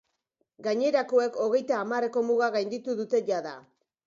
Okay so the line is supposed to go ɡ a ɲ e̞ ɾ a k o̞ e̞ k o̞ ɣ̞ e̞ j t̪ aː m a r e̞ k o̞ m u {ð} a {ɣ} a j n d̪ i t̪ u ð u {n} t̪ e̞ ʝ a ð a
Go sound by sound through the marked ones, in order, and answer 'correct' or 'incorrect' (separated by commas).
incorrect, correct, incorrect